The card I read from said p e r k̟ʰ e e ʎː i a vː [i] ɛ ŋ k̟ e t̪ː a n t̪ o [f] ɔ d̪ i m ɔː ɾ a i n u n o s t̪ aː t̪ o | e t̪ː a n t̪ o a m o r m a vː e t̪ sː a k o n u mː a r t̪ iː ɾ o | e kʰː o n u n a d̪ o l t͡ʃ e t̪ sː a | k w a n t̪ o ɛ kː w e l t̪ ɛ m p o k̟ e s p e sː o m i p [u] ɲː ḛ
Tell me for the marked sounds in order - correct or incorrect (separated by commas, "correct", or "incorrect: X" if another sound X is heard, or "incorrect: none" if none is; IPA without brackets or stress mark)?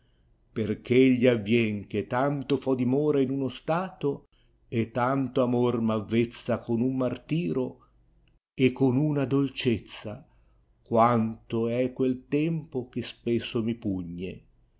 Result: incorrect: j, correct, correct